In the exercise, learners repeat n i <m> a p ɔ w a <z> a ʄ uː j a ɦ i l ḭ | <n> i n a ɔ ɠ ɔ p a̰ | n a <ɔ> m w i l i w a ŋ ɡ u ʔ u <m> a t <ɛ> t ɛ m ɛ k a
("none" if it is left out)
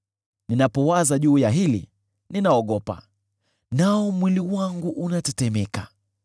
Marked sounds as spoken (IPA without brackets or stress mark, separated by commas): n, z, n, ɔ, n, ɛ